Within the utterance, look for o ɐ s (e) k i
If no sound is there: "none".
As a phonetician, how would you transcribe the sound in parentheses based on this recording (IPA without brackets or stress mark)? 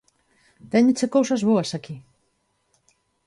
a